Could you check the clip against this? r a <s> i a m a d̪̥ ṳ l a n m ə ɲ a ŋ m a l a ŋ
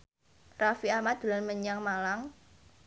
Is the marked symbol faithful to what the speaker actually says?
no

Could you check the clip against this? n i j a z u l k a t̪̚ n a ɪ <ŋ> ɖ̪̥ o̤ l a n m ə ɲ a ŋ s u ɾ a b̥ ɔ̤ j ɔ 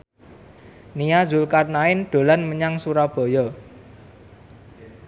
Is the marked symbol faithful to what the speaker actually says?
no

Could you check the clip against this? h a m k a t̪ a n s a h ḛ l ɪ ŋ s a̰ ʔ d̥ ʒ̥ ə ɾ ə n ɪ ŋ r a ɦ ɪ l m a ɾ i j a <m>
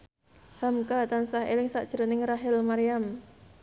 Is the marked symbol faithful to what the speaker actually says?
yes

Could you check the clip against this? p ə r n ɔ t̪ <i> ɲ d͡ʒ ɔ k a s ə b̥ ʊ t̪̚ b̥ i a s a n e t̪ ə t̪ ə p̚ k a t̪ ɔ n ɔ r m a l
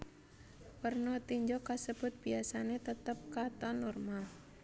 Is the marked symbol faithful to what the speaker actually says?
yes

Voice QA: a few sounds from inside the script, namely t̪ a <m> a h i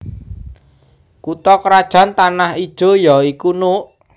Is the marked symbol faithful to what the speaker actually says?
no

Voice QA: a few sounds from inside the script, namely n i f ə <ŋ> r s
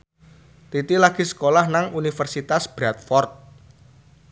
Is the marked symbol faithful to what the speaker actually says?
no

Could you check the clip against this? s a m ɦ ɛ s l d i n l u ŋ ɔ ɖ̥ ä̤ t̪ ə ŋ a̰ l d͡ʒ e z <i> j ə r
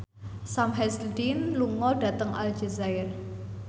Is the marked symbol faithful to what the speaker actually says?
no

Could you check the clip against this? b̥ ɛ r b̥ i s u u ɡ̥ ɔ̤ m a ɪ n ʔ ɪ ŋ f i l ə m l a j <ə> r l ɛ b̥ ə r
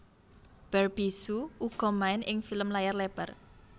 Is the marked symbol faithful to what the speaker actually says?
no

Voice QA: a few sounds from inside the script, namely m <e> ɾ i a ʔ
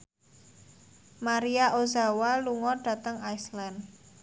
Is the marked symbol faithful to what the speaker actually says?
no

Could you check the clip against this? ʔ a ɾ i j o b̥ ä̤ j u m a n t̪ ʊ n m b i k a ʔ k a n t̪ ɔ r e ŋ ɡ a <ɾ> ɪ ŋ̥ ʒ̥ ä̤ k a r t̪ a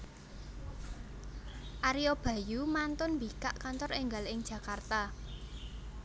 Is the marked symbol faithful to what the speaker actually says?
no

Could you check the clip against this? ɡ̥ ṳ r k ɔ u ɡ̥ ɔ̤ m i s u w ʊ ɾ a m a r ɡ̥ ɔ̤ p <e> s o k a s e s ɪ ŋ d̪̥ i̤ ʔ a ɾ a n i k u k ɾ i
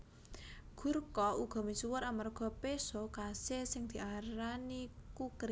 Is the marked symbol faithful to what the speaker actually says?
yes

